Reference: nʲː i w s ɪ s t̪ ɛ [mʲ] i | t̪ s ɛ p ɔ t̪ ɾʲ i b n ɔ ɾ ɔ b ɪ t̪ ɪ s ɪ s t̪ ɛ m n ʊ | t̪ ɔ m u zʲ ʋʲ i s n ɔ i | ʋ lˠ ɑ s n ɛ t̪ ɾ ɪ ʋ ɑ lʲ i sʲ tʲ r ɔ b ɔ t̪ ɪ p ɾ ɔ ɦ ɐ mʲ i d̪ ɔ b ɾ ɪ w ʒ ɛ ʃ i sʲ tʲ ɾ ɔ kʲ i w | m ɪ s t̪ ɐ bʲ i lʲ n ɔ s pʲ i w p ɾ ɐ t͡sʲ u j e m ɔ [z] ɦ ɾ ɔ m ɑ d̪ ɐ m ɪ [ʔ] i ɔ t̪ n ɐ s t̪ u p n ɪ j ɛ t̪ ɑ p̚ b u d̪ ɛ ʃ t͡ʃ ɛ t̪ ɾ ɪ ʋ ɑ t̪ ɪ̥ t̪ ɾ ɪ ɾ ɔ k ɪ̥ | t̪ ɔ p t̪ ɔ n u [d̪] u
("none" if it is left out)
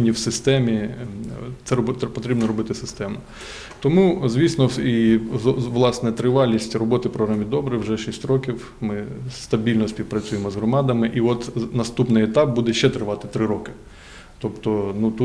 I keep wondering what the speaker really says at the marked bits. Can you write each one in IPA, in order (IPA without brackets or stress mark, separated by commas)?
mʲ, z, ʔ, t̪